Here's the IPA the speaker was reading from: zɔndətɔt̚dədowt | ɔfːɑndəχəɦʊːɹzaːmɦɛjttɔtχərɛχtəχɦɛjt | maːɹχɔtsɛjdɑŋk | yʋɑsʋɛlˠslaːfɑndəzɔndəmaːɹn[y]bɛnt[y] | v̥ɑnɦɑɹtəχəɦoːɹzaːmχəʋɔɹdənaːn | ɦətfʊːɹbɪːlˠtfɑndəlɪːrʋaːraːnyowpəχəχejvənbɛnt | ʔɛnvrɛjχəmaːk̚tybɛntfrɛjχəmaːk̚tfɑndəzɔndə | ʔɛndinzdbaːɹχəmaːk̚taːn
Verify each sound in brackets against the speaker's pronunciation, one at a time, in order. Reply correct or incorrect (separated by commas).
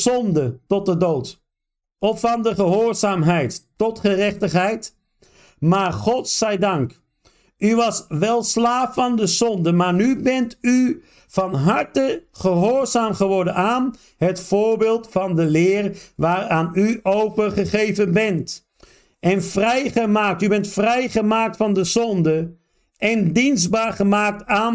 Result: correct, correct